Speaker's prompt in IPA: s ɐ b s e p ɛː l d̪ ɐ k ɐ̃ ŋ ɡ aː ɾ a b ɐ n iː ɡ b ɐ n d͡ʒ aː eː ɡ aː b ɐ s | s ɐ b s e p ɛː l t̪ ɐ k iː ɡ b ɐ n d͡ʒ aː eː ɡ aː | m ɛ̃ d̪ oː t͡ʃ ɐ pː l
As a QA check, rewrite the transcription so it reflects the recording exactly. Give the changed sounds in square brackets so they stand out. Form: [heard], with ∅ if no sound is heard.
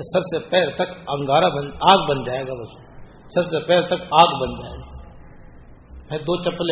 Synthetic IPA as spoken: s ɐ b s e p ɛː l [t̪] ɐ k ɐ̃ ŋ ɡ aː ɾ a b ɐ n [aː] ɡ b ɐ n d͡ʒ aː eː ɡ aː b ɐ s | s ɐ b s e p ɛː l t̪ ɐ k [aː] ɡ b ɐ n d͡ʒ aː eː ɡ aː | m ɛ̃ d̪ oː t͡ʃ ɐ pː l